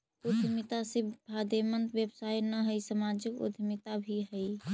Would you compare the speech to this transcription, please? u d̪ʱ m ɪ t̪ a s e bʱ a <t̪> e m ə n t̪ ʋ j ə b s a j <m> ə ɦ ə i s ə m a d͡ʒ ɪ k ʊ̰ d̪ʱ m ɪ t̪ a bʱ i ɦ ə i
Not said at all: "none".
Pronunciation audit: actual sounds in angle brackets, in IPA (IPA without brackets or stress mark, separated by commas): d̪, n